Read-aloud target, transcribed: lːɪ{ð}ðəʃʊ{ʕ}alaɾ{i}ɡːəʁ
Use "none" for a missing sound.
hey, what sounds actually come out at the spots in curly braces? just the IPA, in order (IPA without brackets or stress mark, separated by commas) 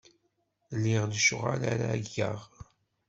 ʁ, ʁ, a